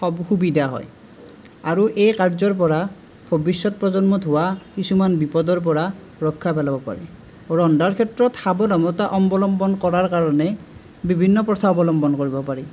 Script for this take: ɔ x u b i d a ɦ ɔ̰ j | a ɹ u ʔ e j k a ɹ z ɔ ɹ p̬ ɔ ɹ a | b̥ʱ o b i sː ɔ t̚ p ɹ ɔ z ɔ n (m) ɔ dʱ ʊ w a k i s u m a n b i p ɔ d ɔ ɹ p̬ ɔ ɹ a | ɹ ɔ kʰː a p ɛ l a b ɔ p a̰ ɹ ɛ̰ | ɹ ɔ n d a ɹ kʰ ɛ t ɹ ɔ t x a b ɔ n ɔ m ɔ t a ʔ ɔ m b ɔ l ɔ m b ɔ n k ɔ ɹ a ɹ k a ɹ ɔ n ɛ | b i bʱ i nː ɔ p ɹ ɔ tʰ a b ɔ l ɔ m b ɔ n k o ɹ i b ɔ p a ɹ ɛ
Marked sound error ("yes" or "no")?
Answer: no